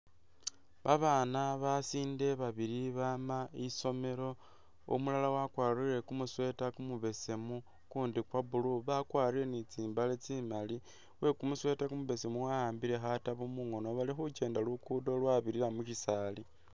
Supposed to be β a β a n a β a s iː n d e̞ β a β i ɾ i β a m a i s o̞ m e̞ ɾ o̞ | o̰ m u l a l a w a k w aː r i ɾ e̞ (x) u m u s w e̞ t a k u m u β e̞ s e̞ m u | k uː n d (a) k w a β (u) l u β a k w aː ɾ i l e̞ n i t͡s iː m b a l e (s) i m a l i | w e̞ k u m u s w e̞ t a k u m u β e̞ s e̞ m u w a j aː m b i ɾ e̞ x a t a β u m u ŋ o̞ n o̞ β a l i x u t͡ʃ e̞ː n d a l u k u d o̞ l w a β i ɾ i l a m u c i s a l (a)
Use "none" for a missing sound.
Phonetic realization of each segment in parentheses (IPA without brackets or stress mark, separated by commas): k, i, u, t͡s, i